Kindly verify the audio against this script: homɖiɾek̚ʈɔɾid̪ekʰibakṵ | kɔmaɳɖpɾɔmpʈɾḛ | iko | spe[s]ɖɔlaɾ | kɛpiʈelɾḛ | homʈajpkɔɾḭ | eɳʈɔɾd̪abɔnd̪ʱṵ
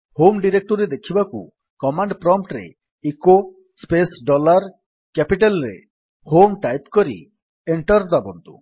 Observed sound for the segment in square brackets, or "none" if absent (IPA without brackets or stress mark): s